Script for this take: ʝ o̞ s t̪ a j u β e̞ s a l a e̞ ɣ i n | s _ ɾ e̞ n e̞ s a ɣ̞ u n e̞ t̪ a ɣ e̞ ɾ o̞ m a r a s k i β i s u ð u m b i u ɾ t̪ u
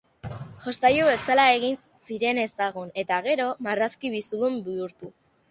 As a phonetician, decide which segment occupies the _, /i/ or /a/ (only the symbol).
i